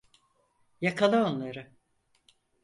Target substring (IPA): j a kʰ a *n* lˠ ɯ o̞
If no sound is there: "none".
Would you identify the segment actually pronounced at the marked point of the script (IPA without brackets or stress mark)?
none